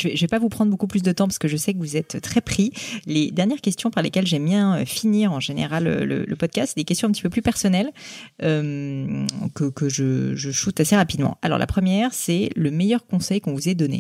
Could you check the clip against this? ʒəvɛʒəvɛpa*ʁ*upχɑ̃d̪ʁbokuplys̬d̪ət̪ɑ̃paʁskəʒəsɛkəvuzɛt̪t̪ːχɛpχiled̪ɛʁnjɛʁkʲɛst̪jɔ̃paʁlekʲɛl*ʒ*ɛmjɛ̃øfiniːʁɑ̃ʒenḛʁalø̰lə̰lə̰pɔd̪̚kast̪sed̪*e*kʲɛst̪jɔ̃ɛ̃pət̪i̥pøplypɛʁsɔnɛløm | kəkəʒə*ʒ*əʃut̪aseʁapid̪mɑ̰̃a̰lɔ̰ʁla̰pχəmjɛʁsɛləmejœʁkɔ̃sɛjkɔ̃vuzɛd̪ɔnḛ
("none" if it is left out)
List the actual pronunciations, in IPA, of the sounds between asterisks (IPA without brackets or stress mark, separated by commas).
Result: v, ʒ, e, ʒ